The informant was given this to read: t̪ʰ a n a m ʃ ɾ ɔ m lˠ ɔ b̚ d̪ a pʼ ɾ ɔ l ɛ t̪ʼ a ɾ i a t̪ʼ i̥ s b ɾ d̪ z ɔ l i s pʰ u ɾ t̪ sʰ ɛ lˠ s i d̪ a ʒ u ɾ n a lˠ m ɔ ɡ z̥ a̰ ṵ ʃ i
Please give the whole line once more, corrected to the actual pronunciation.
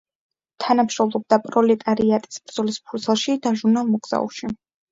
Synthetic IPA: t̪ʰ a n a m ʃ ɾ ɔ m lˠ ɔ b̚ d̪ a pʼ ɾ ɔ l ɛ t̪ʼ a ɾ i a t̪ʼ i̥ s b ɾ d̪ z ɔ l i s pʰ u ɾ t̪ sʰ ɛ lˠ ʃ i d̪ a ʒ u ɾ n a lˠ m ɔ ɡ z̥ a̰ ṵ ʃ i